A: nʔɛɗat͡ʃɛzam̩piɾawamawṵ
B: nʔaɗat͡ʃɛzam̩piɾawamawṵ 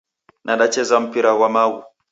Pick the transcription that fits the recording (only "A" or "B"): B